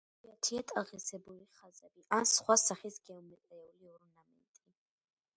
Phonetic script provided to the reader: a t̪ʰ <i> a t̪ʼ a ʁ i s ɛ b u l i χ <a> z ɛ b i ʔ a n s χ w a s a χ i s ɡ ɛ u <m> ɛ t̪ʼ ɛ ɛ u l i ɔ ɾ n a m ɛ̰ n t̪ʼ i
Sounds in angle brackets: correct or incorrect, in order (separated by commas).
correct, correct, correct